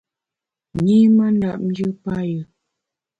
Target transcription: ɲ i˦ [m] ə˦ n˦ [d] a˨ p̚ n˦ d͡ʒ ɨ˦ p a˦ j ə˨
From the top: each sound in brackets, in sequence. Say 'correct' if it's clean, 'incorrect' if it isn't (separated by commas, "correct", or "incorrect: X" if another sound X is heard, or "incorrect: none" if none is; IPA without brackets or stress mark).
correct, correct